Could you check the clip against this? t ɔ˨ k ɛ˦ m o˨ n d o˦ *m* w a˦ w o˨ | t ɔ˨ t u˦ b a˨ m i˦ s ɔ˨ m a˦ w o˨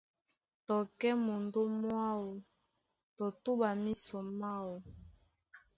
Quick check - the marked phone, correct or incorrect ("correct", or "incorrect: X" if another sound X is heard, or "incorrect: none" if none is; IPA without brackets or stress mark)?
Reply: correct